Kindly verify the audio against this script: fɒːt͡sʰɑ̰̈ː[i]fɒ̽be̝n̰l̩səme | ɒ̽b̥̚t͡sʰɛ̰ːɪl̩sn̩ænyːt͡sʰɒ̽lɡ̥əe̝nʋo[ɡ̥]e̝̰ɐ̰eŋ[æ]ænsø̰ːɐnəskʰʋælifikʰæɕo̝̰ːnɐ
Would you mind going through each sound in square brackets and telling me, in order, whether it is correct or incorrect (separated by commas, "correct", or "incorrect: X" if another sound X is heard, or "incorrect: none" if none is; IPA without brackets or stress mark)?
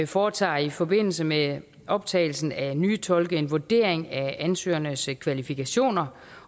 correct, incorrect: d̥, correct